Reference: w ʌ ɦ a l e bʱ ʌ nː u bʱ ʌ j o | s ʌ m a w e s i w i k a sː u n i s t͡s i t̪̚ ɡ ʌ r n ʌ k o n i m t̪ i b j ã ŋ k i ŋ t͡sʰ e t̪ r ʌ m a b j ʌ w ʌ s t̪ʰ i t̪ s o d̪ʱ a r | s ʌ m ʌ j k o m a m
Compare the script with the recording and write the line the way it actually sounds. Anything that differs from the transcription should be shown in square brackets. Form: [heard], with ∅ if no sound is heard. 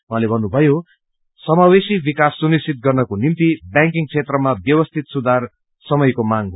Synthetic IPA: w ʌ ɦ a l e bʱ ʌ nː u bʱ ʌ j o | s ʌ m a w e s i [b] i k a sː u n i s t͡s i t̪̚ ɡ ʌ r n ʌ k o n i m t̪ i b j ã ŋ k i ŋ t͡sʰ e t̪ r ʌ m a b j ʌ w ʌ s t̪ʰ i t̪ s [u] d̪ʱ a r | s ʌ m ʌ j k o m a [ŋ]